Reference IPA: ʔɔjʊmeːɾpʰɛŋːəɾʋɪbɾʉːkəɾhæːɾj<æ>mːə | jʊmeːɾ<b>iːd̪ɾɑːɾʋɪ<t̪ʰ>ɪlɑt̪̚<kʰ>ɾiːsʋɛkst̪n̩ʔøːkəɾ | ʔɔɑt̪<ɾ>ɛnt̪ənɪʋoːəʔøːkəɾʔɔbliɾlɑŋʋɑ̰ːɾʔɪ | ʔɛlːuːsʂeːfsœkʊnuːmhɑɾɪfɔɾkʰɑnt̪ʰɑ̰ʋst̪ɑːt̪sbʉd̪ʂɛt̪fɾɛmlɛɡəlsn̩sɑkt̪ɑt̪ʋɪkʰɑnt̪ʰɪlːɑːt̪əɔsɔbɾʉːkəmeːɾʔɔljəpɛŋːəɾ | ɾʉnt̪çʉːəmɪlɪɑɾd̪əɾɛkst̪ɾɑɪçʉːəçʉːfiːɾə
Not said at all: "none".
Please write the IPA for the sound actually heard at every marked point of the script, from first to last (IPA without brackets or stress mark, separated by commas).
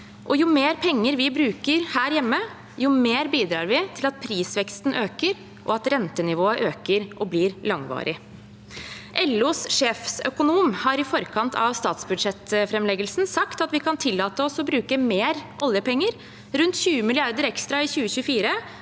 ɛ, b, t̪ʰ, pʰ, ɾ